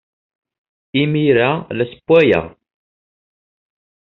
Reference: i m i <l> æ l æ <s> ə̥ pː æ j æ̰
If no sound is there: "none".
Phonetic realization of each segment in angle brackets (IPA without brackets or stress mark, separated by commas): ɾ, s